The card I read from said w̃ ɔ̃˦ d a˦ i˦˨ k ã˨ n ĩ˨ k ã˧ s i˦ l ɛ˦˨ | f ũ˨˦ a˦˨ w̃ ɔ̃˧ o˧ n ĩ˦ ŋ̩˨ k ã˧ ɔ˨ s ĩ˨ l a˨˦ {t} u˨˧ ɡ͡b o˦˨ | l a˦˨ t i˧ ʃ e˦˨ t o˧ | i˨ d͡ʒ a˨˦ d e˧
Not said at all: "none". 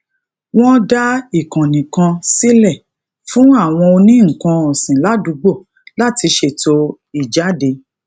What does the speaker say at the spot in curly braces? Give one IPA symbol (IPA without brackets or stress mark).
d